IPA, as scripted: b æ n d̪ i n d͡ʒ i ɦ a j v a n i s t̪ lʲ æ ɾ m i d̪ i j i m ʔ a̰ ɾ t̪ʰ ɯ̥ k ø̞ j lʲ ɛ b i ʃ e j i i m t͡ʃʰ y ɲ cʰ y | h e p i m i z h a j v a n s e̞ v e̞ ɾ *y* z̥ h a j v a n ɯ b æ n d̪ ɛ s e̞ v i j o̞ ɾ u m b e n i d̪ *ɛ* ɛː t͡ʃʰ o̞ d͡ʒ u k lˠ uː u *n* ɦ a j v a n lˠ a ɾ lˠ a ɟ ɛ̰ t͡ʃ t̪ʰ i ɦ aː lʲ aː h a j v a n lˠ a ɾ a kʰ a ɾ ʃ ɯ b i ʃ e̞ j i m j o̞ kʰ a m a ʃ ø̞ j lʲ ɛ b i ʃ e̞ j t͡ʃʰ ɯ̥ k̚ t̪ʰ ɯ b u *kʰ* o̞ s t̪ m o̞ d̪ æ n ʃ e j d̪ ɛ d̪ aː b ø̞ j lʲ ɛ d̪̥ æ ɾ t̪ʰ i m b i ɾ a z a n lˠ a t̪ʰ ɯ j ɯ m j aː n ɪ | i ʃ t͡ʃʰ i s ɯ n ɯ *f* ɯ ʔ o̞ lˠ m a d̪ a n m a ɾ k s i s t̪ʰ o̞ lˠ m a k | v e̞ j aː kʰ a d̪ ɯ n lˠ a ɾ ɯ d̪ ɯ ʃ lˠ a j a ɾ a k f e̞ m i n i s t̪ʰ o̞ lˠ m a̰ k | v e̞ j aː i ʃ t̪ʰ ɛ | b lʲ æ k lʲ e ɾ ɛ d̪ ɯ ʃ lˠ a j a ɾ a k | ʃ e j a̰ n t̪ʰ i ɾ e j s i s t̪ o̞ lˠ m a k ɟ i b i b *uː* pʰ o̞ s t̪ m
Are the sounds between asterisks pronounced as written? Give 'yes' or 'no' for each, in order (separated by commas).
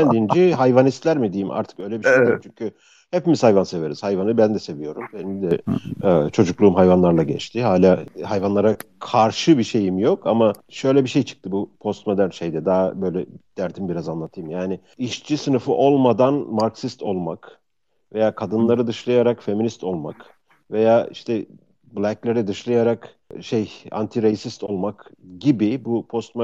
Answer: no, yes, no, no, yes, no